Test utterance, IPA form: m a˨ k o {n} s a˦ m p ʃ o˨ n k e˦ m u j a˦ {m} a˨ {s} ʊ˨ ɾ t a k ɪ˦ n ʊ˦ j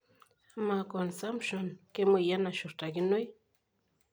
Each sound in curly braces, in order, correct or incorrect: correct, incorrect: n, incorrect: ʃ

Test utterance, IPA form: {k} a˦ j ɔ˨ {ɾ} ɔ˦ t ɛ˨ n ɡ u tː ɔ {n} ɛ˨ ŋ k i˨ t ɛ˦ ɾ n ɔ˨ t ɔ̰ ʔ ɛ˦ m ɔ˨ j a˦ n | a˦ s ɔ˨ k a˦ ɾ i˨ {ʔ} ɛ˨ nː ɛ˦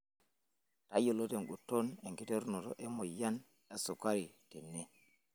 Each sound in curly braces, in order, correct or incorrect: incorrect: t, incorrect: l, correct, incorrect: t

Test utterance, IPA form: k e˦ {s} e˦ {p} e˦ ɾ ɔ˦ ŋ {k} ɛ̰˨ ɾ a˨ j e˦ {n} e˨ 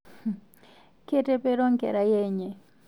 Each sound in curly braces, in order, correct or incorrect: incorrect: t, correct, correct, incorrect: ɲ

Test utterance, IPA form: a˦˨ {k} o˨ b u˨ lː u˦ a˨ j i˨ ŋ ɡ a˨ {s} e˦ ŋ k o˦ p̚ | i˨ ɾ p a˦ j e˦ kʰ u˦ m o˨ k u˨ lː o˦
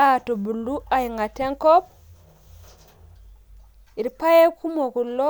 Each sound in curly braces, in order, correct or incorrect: incorrect: t, incorrect: t

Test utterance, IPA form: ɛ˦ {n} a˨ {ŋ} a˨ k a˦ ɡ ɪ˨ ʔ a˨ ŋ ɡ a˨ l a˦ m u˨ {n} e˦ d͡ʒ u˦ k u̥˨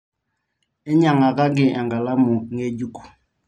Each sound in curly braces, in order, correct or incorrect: incorrect: ɲ, correct, incorrect: ŋ

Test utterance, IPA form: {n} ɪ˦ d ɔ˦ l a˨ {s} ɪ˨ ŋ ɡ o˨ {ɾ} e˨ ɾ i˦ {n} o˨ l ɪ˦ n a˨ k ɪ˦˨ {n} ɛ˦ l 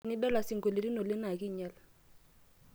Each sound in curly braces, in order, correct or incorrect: correct, correct, incorrect: l, correct, incorrect: ɲ

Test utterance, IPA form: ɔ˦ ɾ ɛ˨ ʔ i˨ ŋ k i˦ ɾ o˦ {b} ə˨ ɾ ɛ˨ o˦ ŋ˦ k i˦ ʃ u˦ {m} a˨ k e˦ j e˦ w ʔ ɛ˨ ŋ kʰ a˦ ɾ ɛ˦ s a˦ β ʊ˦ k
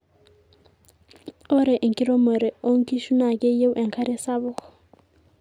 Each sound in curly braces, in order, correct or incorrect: incorrect: m, incorrect: n

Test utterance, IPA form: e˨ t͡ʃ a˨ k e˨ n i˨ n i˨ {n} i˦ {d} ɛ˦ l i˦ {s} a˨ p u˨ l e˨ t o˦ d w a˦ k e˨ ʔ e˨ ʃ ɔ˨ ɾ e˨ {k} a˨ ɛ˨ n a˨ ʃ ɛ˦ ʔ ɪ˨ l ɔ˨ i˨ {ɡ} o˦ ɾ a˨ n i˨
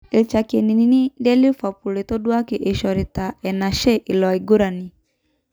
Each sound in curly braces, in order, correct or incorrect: correct, correct, incorrect: f, incorrect: t, correct

